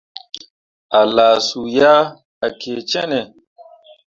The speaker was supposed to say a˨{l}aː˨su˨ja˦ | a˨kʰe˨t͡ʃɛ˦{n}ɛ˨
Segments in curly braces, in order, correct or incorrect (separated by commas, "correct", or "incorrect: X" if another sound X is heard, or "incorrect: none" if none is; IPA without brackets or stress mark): correct, correct